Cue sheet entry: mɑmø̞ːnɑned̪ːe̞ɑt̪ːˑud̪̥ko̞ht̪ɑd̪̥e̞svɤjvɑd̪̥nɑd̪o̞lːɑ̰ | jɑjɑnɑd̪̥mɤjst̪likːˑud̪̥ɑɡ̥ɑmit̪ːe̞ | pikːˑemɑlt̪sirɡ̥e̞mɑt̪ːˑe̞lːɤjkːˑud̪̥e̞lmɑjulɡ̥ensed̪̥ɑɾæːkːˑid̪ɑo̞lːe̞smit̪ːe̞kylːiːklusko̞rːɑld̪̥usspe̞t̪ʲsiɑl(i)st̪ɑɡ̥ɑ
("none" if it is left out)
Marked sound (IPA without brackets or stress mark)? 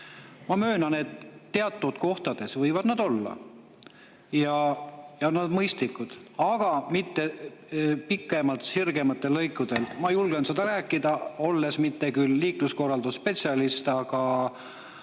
i